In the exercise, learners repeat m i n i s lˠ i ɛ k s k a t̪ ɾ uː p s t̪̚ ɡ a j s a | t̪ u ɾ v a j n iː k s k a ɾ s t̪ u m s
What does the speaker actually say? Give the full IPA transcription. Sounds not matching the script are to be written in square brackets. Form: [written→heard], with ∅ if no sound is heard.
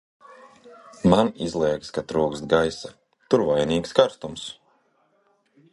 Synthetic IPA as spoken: m [i→a] n i [s→z] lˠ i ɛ k s k a t̪ ɾ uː [p→k] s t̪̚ ɡ a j s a | t̪ u ɾ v a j n iː k s k a ɾ s t̪ u m s